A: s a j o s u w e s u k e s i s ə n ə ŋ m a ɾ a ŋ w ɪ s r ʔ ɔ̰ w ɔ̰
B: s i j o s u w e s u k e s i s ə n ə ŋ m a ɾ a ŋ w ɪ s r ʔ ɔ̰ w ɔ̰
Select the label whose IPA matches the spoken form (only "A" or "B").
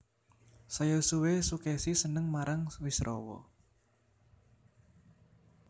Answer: A